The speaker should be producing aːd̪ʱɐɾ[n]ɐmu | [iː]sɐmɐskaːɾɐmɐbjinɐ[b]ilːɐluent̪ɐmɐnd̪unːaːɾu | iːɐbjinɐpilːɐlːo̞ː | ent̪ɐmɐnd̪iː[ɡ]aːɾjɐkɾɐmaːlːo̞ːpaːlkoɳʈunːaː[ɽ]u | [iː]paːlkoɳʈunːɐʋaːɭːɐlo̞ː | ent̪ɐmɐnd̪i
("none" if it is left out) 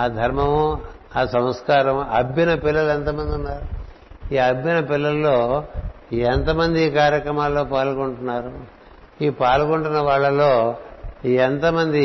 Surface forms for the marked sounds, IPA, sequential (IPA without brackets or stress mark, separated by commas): m, aː, p, k, ɾ, iː